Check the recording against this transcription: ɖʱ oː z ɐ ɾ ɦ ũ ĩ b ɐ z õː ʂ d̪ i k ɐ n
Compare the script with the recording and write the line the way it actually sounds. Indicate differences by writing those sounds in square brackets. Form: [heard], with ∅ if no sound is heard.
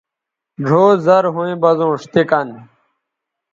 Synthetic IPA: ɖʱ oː z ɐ ɾ ɦ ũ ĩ b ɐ z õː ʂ [t̪] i k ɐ n